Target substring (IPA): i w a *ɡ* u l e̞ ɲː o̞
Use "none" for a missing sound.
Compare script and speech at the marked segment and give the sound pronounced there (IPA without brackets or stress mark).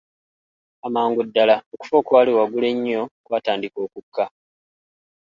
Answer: ɡ